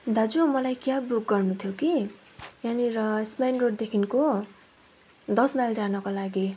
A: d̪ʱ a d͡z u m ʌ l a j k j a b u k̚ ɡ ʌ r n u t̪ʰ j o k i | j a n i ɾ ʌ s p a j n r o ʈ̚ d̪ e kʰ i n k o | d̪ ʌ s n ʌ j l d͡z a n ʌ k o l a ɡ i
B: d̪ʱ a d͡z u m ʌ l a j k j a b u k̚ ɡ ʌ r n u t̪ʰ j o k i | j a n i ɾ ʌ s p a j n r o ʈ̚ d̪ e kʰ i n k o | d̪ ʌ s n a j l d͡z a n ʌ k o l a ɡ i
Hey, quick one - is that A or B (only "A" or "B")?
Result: B